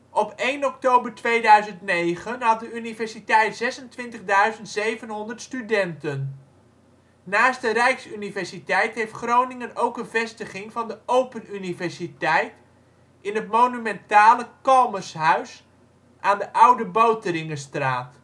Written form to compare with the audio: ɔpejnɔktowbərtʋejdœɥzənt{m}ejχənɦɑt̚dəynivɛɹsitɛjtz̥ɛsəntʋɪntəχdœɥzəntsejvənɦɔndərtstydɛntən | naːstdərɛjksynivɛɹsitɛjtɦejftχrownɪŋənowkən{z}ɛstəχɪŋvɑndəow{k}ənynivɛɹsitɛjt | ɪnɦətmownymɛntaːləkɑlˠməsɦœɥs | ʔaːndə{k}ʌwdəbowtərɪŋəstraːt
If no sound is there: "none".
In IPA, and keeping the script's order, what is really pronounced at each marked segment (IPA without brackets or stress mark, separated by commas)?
n, v, p, ʔ